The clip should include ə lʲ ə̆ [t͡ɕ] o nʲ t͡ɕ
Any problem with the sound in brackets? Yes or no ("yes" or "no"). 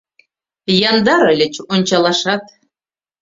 no